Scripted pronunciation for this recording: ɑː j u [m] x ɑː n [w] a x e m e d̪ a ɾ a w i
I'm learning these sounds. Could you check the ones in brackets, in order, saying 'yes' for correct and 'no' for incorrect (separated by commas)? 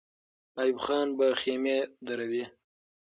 no, no